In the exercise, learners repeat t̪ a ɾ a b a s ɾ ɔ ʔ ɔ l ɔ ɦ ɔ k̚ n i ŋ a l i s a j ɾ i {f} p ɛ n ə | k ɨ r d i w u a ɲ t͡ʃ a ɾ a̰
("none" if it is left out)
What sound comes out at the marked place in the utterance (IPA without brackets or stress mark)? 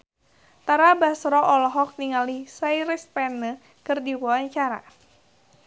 s